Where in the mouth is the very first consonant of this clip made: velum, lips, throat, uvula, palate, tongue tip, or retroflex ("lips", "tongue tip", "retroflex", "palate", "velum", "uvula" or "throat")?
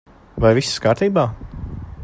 lips